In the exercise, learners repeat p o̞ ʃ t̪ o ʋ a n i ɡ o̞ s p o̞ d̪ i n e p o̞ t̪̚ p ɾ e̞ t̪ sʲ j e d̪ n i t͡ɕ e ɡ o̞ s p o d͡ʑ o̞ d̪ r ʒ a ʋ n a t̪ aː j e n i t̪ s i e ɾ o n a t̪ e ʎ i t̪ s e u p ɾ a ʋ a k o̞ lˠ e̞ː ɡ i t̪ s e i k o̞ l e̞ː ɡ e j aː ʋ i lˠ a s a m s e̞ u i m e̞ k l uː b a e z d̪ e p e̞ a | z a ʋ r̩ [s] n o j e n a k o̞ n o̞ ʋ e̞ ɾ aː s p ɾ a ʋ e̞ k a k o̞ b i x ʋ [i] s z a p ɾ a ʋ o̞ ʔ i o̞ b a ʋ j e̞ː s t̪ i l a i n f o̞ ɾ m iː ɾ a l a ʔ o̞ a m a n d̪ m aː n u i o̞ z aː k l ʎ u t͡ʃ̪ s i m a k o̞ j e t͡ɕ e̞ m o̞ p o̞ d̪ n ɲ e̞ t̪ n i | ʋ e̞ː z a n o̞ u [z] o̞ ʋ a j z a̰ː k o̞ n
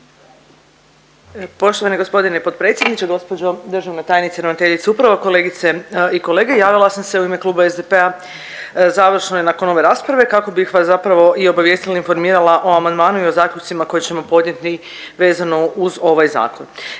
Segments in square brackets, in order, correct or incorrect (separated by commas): incorrect, incorrect, correct